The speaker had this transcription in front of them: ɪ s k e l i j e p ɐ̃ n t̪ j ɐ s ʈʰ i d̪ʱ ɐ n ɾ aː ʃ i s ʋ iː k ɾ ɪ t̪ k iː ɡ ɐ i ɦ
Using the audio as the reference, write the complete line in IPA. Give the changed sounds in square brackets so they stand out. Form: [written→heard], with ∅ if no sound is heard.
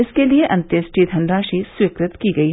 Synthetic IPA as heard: ɪ s k e l i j e [p→ʔ] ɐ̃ n t̪ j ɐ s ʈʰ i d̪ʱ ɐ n ɾ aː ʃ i s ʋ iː k ɾ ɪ t̪ k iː ɡ ɐ i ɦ